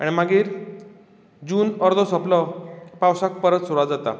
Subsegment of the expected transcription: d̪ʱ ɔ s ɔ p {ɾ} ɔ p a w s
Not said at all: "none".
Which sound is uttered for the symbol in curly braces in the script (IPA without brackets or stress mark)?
l